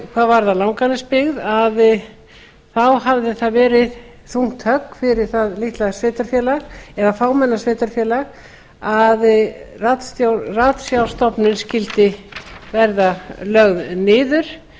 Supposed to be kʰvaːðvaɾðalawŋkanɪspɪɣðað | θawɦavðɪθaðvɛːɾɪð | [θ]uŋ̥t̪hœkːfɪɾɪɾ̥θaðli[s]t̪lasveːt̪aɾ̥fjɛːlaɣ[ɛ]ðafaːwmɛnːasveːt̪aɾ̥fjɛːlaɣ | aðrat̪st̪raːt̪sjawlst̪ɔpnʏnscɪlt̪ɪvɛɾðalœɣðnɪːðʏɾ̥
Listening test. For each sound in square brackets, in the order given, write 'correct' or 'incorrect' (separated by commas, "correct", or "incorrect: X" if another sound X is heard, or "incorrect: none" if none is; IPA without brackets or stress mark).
correct, incorrect: h, correct